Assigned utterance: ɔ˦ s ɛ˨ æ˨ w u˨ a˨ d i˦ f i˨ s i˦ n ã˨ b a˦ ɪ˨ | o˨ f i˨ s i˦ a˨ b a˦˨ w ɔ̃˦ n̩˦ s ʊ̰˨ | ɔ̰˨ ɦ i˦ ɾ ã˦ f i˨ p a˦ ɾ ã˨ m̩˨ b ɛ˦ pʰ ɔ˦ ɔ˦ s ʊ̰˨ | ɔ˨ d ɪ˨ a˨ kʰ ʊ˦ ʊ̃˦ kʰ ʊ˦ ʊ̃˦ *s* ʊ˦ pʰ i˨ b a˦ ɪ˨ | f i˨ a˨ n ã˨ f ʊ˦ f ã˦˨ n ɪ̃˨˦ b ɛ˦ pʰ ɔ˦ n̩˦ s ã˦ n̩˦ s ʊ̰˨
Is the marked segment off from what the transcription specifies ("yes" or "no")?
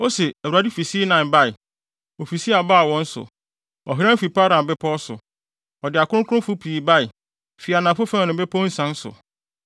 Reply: yes